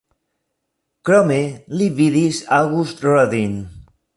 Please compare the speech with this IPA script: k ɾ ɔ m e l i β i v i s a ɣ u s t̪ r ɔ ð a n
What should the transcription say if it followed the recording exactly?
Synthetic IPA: k ɾ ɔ m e l i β i ð i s a ɣ u s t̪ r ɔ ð i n